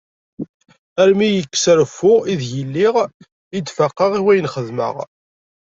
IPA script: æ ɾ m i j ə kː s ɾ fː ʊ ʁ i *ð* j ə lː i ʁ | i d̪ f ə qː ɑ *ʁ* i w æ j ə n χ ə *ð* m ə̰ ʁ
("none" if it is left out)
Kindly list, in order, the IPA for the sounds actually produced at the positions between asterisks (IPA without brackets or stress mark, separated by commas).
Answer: ð, ʁ, ð